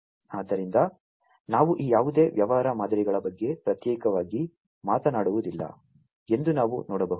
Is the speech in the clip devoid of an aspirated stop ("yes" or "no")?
yes